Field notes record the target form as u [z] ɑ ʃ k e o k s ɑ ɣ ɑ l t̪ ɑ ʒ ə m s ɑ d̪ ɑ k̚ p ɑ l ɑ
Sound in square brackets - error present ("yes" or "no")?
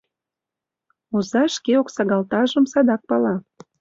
no